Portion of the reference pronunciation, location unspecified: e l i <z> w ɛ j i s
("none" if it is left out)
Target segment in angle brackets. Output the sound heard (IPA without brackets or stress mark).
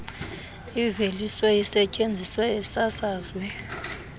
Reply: s